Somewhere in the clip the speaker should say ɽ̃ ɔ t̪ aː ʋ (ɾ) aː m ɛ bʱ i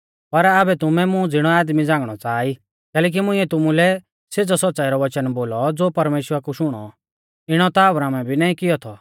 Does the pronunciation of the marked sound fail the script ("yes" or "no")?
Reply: no